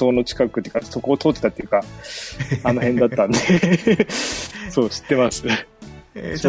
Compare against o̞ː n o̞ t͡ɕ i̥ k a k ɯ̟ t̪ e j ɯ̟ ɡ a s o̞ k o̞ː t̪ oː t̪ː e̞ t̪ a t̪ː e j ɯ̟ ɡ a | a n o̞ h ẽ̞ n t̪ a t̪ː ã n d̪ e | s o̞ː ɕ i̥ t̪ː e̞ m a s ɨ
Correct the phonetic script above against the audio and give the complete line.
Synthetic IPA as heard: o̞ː n o̞ t͡ɕ i̥ k a k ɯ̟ t̪ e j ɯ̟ k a s o̞ k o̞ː t̪ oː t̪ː e̞ t̪ a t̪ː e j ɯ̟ k a | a n o̞ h ẽ̞ n d̪ a t̪ː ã n d̪ e | s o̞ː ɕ i̥ t̪ː e̞ m a s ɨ